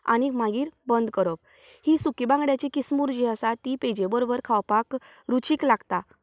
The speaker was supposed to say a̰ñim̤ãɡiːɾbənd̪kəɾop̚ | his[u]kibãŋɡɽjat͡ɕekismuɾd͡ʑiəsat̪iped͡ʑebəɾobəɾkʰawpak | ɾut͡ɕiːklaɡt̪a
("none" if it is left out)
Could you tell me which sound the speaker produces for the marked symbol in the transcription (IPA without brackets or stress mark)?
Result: u